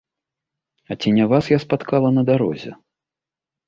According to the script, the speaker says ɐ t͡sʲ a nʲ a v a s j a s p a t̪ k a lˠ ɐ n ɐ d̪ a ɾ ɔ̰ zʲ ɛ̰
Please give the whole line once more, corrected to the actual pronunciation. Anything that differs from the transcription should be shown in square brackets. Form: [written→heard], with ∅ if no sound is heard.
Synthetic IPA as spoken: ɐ t͡sʲ [a→i] nʲ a v a s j a s p a t̪ k a lˠ ɐ n ɐ d̪ a ɾ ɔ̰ zʲ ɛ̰

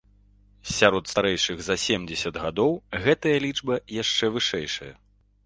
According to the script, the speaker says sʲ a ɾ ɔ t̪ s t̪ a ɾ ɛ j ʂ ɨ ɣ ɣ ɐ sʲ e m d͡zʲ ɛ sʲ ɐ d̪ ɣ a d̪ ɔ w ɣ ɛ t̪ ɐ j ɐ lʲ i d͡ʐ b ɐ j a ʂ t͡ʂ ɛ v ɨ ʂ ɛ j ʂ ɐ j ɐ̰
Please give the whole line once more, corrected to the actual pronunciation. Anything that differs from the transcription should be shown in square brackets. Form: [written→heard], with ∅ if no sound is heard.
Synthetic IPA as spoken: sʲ a ɾ ɔ t̪ s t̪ a ɾ ɛ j ʂ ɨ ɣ [ɣ→z] ɐ sʲ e m d͡zʲ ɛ sʲ ɐ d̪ ɣ a d̪ ɔ w ɣ ɛ t̪ ɐ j ɐ lʲ i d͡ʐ b ɐ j a ʂ t͡ʂ ɛ v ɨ ʂ ɛ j ʂ ɐ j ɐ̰

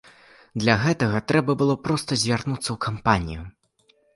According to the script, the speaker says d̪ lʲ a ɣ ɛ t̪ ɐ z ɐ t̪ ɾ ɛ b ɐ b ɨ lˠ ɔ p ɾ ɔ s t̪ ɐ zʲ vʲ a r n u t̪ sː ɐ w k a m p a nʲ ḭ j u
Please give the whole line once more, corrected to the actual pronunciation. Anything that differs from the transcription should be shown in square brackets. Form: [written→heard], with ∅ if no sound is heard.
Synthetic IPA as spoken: d̪ lʲ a ɣ ɛ t̪ ɐ [z→ɣ] ɐ t̪ ɾ ɛ b ɐ b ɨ lˠ ɔ p ɾ ɔ s t̪ ɐ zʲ vʲ a r n u t̪ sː ɐ w k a m p a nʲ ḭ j u

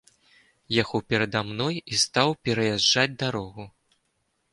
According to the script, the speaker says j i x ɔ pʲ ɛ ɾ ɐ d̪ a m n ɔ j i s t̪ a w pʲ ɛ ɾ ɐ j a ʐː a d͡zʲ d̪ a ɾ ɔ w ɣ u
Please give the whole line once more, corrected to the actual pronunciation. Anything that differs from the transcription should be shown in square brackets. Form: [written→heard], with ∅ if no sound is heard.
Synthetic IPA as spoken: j [i→a] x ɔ pʲ ɛ ɾ ɐ d̪ a m n ɔ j i s t̪ a w pʲ ɛ ɾ ɐ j a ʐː a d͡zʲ d̪ a ɾ ɔ [w→∅] ɣ u

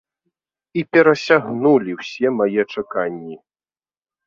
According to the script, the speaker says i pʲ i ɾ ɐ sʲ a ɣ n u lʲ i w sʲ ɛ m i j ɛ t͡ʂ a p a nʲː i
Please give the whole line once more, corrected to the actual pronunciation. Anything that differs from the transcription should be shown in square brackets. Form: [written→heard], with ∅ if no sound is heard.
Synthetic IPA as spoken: i pʲ [i→ɛ] ɾ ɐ sʲ a ɣ n u lʲ i w sʲ ɛ m [i→a] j ɛ t͡ʂ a [p→k] a nʲː i

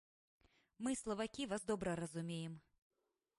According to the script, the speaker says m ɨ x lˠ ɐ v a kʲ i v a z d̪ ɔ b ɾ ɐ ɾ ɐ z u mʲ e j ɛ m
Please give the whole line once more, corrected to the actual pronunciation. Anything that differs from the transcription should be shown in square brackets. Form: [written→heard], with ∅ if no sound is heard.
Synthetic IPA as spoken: m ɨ [x→s] lˠ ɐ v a kʲ i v a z d̪ ɔ b ɾ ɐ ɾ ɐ z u mʲ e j ɛ m

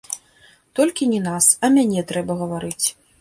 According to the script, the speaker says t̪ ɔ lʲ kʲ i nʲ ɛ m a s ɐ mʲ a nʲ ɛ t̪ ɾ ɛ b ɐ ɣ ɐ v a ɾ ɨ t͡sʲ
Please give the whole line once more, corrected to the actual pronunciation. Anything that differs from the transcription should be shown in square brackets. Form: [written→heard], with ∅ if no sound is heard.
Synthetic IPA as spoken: t̪ ɔ lʲ kʲ i nʲ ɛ [m→n] a s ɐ mʲ a nʲ ɛ t̪ ɾ ɛ b ɐ ɣ ɐ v a ɾ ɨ t͡sʲ

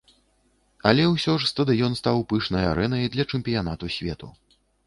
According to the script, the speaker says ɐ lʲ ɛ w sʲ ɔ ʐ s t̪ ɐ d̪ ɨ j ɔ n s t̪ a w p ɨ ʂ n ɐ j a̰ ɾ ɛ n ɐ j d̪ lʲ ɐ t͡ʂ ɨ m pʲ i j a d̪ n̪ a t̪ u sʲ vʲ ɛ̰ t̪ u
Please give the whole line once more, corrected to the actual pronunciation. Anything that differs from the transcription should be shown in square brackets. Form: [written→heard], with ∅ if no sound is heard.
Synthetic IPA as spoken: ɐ lʲ ɛ w sʲ ɔ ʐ s t̪ ɐ d̪ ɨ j ɔ n s t̪ a w p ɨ ʂ n ɐ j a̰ ɾ ɛ n ɐ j d̪ lʲ ɐ t͡ʂ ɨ m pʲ i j a [d̪→∅] n̪ a t̪ u sʲ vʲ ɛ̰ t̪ u

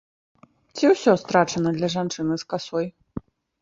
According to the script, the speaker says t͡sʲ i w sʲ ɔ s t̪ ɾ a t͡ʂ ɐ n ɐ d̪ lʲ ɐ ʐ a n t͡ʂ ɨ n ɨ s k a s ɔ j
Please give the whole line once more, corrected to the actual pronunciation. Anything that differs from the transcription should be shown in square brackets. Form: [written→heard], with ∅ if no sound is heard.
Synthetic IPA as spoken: t͡sʲ i w sʲ ɔ s t̪ ɾ a t͡ʂ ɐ n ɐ d̪ lʲ ɐ ʐ a n t͡ʂ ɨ n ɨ s k a s ɔ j

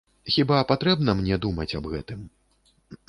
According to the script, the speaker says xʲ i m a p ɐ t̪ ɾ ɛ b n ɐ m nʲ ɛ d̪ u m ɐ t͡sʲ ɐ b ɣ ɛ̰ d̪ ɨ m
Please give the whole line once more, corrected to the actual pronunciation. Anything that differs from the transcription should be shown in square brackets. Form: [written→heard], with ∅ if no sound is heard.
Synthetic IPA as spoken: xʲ i [m→b] a p [ɐ→a] t̪ ɾ ɛ b n ɐ m nʲ ɛ d̪ u m ɐ t͡sʲ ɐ b ɣ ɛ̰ [d̪→t̪] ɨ m

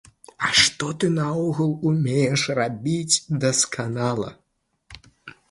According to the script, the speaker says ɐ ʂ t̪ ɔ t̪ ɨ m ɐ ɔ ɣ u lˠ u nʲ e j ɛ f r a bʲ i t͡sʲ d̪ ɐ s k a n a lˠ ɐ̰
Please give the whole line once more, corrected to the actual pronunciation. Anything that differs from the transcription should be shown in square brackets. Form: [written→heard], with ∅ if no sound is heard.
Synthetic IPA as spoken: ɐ ʂ t̪ ɔ t̪ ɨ [m→n] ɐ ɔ ɣ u lˠ u [nʲ→mʲ] e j ɛ [f→ʂ] r a bʲ i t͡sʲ d̪ ɐ s k a n a lˠ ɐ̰

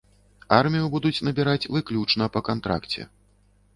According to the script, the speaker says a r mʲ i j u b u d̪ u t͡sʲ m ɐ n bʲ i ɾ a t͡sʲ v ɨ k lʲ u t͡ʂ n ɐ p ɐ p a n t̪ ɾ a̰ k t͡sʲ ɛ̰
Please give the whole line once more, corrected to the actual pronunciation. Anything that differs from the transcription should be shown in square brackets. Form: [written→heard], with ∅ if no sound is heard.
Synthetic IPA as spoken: a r mʲ i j u b u d̪ u t͡sʲ [m→n] ɐ [n→∅] bʲ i ɾ a t͡sʲ v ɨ k lʲ u t͡ʂ n ɐ p ɐ [p→k] a n t̪ ɾ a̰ k t͡sʲ ɛ̰

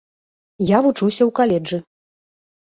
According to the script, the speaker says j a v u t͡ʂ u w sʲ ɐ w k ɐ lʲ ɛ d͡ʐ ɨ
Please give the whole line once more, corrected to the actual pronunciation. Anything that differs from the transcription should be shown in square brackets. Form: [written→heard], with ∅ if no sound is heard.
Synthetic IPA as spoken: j a v u t͡ʂ u w sʲ ɐ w k [ɐ→a] lʲ ɛ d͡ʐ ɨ

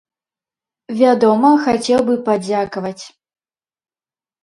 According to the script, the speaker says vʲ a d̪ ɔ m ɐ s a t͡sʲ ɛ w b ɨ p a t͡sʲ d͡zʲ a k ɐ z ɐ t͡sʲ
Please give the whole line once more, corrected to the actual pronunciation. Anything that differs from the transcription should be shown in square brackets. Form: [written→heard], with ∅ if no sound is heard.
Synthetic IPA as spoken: vʲ a d̪ ɔ m ɐ [s→x] a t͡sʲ ɛ w b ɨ p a [t͡sʲ→∅] d͡zʲ a k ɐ [z→v] ɐ t͡sʲ

